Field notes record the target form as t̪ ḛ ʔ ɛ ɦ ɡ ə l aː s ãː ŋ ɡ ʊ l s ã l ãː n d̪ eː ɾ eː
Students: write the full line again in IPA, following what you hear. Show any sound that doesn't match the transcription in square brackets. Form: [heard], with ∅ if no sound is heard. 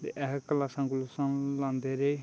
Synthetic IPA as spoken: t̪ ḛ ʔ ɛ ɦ [k] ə l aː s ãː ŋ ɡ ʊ l s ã l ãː n d̪ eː ɾ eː